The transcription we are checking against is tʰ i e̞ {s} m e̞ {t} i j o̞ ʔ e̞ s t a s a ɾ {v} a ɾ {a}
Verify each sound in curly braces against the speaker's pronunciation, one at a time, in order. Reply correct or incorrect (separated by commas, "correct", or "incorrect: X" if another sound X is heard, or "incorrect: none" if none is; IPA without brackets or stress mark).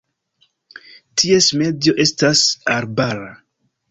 correct, incorrect: d, incorrect: b, correct